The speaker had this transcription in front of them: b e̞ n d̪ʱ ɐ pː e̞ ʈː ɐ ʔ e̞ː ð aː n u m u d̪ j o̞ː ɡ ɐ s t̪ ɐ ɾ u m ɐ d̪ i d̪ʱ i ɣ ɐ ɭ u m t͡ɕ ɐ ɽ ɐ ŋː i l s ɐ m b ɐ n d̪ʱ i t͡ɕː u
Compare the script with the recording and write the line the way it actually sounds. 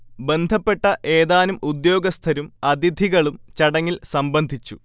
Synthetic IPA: b e̞ n d̪ʱ ɐ pː e̞ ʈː ɐ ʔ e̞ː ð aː n u m u d̪ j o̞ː ɡ ɐ s t̪ʰ ɐ ɾ u m ɐ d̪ i d̪ʱ i ɣ ɐ ɭ u m t͡ɕ ɐ ɽ ɐ ŋː i l s ɐ m b ɐ n d̪ʱ i t͡ɕː u